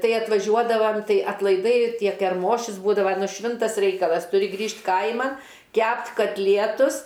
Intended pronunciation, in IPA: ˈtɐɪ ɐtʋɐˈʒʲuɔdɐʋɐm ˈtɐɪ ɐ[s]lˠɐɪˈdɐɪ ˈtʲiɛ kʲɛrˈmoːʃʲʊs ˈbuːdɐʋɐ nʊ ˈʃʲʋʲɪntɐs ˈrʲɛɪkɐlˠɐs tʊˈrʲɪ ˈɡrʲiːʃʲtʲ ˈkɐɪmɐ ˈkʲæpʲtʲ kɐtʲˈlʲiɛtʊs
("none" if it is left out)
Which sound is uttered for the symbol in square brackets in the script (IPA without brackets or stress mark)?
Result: t